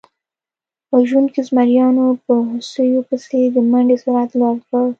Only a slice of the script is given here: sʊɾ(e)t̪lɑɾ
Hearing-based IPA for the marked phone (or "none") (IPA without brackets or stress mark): a